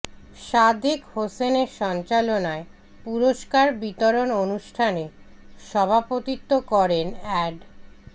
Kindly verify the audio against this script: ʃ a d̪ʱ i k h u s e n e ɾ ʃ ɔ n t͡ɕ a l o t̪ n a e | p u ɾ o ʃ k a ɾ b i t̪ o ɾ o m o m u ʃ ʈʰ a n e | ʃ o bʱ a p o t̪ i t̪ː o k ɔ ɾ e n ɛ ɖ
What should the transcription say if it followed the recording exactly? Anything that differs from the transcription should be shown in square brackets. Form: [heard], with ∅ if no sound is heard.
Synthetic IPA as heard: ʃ a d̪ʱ i k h [o] s e n e ɾ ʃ ɔ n t͡ɕ a l o [∅] n a e | p u ɾ o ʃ k a ɾ b i t̪ o ɾ o [n] o [n] u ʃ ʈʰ a n e | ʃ [ɔ] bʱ a p o t̪ i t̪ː o k ɔ ɾ e n ɛ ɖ

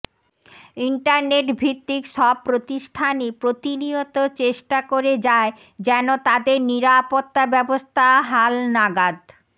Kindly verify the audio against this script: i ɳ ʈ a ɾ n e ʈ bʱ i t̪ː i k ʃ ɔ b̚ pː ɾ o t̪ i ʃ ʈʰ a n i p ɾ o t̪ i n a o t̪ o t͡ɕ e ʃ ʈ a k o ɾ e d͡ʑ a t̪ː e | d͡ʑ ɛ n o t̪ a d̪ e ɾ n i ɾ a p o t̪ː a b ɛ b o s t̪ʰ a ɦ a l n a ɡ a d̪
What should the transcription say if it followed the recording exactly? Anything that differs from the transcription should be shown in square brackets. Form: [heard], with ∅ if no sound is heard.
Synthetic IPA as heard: i ɳ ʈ a ɾ n e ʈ bʱ i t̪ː i k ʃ ɔ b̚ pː ɾ o t̪ i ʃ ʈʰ a n i p ɾ o t̪ i n [i] o t̪ o t͡ɕ e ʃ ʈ a k o ɾ e d͡ʑ a [∅] e | d͡ʑ ɛ n o t̪ a d̪ e ɾ n i ɾ a p o t̪ː a b ɛ b o s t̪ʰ a ɦ a l n a ɡ a d̪

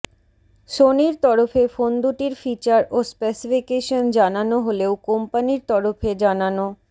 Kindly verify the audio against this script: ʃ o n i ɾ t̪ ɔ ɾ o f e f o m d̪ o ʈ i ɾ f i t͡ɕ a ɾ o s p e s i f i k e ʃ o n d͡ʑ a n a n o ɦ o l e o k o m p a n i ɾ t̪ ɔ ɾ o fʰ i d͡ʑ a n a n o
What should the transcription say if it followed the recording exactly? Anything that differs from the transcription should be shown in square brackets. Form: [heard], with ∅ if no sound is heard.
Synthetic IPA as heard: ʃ o n i ɾ t̪ ɔ ɾ o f e f o [n] d̪ [u] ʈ i ɾ f i t͡ɕ a ɾ o s p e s i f i k e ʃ o n d͡ʑ a n a n o ɦ o l e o k o m p a n i ɾ t̪ ɔ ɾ o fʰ [e] d͡ʑ a n a n o

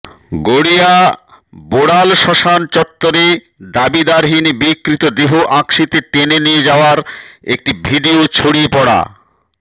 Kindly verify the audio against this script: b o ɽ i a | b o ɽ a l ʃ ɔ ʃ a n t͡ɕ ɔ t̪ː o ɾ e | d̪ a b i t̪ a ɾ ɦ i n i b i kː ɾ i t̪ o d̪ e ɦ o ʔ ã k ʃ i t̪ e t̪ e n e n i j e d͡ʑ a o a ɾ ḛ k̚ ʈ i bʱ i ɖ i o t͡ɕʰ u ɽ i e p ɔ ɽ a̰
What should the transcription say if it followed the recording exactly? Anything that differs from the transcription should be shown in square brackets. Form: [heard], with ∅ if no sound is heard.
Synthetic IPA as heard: [ɡ] o ɽ i a | b o ɽ a l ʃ ɔ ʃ a n t͡ɕ ɔ t̪ː o ɾ e | d̪ a b i [d̪] a ɾ ɦ i n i b i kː ɾ i t̪ o d̪ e ɦ o ʔ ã k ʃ i t̪ e t̪ e n e n i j e d͡ʑ a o a ɾ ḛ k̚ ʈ i bʱ i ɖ i o t͡ɕʰ [o] ɽ i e p ɔ ɽ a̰

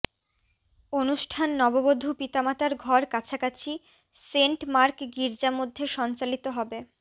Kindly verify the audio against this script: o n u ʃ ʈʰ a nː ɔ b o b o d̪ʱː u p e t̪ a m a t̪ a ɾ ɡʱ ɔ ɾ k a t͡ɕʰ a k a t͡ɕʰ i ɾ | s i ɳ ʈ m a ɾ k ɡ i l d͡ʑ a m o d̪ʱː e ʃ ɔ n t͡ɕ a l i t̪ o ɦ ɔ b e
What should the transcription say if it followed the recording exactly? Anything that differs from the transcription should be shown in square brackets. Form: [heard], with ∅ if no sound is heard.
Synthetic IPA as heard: o n u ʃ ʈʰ a nː ɔ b o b o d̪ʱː u p [i] t̪ a m a t̪ a ɾ ɡʱ ɔ ɾ k a t͡ɕʰ a k a t͡ɕʰ i [∅] | s [e] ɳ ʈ m a ɾ k ɡ i [ɾ] d͡ʑ a m o d̪ʱː e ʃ ɔ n t͡ɕ a l i t̪ o ɦ ɔ b e

